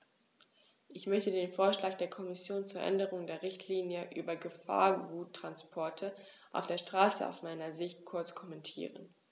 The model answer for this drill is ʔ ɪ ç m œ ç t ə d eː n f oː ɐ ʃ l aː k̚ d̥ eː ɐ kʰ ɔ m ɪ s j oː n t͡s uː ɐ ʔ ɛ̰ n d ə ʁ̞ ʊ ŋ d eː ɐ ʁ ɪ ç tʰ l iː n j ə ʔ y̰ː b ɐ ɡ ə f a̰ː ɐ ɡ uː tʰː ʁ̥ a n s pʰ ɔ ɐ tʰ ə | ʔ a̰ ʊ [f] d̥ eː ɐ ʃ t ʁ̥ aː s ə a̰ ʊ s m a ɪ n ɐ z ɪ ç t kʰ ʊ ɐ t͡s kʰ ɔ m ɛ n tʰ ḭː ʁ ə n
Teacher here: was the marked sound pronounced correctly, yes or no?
yes